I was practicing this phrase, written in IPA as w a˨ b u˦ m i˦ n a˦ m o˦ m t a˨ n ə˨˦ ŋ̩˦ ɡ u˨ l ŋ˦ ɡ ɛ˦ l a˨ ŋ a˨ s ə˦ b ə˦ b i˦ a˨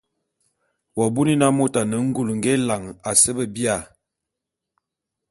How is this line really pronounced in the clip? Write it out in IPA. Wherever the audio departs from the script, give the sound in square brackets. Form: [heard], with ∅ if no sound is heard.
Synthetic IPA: w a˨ b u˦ [n] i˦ n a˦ m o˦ [∅] t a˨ n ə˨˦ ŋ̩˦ ɡ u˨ l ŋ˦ ɡ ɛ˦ l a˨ ŋ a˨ s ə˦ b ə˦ b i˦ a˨